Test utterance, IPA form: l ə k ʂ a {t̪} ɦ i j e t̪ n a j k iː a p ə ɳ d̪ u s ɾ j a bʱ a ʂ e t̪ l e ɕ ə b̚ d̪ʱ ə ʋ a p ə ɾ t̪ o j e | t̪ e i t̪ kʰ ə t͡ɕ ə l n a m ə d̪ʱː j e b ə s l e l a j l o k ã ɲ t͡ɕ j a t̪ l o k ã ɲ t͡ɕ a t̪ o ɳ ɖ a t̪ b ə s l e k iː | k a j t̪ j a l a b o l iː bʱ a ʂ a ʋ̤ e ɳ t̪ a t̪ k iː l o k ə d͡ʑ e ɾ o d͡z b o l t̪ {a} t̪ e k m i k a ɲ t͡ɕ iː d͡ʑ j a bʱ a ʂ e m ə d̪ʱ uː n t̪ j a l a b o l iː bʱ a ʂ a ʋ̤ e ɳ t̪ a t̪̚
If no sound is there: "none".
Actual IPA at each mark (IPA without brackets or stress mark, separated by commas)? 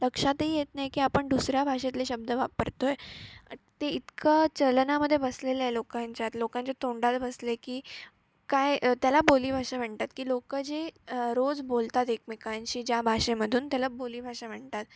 t̪, a